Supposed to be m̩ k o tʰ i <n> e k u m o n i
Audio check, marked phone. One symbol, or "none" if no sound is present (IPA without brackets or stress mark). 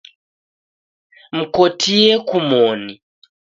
none